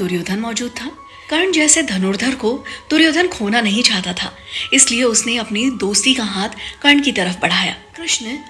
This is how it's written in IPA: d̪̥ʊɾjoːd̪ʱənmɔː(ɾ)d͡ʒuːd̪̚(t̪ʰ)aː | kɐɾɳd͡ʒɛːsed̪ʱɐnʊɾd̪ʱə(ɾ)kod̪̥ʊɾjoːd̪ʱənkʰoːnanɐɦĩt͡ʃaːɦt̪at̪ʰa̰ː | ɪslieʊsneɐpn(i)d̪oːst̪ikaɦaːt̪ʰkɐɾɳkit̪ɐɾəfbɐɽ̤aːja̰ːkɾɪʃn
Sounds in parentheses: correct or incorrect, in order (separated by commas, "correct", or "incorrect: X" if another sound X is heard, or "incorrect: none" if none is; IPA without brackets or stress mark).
incorrect: none, correct, correct, correct